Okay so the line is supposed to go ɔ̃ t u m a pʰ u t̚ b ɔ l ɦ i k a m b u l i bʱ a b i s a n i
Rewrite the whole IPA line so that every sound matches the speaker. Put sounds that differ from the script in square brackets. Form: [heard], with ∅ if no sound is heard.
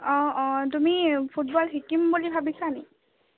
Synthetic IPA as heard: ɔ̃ t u m [i] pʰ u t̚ b ɔ l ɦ i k [i] m b u l i bʱ a b i s a n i